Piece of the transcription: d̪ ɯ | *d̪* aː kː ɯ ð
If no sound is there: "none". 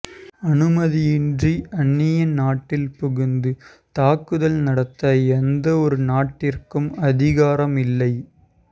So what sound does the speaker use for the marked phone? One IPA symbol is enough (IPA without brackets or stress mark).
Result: t̪